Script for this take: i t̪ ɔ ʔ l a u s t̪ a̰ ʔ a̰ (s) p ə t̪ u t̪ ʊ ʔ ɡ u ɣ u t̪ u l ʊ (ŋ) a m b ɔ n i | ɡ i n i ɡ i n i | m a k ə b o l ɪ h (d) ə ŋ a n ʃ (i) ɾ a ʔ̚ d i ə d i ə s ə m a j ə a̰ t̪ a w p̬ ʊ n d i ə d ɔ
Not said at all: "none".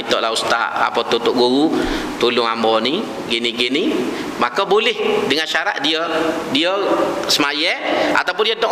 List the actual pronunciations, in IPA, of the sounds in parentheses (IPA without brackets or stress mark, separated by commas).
none, ŋ, d, a